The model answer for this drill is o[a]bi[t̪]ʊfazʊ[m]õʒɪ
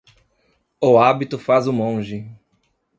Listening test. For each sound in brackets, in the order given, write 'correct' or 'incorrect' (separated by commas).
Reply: correct, correct, correct